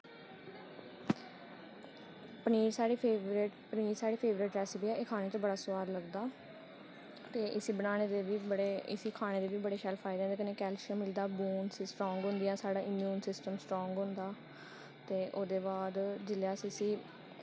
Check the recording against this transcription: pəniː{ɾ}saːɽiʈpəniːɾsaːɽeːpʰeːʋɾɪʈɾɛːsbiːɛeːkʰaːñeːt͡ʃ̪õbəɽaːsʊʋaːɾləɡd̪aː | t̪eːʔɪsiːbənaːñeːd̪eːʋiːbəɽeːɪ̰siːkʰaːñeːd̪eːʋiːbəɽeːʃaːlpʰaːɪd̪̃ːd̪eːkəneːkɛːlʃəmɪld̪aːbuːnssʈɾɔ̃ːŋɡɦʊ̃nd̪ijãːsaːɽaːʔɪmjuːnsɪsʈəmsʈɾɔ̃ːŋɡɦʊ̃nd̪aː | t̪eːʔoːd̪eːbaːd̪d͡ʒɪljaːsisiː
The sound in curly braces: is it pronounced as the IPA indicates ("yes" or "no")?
yes